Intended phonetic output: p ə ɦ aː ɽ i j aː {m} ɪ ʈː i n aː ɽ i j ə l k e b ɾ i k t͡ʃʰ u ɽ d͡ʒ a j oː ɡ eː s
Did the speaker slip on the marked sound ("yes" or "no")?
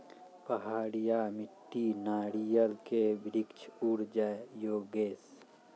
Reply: no